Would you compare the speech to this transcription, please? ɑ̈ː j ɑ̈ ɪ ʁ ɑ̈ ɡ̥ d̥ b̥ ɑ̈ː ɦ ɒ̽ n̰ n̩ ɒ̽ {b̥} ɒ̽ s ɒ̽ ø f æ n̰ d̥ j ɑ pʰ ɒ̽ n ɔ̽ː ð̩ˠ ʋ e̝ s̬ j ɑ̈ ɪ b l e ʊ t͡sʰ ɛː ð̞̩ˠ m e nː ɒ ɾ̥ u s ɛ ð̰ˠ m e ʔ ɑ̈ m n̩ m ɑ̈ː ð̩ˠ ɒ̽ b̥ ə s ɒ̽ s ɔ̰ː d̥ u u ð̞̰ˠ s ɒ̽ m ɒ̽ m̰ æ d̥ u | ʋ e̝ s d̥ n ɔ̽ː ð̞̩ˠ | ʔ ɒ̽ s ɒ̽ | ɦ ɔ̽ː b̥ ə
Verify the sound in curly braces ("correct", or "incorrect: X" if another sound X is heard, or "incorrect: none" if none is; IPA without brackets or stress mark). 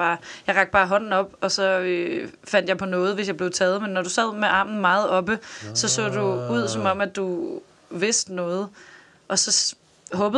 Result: correct